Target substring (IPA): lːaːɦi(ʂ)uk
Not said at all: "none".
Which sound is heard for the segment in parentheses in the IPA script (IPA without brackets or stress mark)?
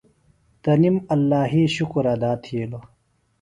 ɕ